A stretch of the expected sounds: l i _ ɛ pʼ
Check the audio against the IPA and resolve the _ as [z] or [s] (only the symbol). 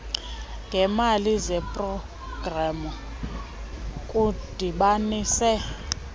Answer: z